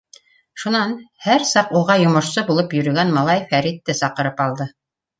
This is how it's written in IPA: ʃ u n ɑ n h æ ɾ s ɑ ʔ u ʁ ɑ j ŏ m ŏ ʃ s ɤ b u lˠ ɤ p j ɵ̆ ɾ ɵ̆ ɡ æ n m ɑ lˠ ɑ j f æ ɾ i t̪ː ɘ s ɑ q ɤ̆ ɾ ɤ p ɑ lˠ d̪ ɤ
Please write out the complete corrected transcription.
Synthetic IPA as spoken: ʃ u n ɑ n h æ ɾ s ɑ q u ʁ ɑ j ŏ m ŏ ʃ s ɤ b u lˠ ɤ p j ɵ̆ ɾ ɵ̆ ɡ æ n m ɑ lˠ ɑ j f æ ɾ i t̪ː ɘ s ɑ q ɤ̆ ɾ ɤ p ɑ lˠ d̪ ɤ